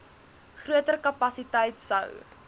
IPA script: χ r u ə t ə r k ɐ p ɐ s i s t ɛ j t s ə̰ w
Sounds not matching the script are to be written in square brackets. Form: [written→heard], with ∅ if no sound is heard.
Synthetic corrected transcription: χ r u ə t ə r k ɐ p ɐ s i [s→∅] t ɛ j t s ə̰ w